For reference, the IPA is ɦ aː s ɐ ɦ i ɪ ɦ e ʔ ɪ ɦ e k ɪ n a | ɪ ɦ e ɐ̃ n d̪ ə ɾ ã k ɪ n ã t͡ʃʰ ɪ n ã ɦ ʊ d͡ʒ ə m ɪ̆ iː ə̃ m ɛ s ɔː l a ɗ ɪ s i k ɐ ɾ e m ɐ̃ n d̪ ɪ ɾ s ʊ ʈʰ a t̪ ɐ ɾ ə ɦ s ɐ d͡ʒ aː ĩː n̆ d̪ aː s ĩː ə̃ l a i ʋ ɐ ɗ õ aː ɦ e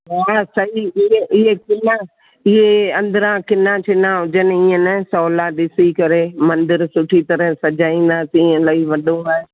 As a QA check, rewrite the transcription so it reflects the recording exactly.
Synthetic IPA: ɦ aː s ɐ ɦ i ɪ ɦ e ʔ ɪ ɦ e k ɪ n a | ɪ ɦ e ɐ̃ n d̪ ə ɾ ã k ɪ n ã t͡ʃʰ ɪ n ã ɦ ʊ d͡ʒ ə n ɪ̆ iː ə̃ n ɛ s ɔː l a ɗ ɪ s i k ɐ ɾ e m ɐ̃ n d̪ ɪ ɾ s ʊ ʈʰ i t̪ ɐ ɾ ə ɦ s ɐ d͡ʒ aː ĩː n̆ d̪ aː s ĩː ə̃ l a i ʋ ɐ ɗ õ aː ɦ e